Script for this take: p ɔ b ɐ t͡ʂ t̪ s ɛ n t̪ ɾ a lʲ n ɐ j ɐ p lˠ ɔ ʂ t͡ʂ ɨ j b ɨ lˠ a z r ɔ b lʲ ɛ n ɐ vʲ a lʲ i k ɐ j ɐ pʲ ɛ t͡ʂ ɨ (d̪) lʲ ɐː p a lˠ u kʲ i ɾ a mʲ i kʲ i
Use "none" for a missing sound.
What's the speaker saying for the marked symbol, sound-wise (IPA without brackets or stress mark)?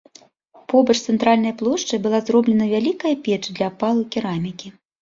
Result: d̪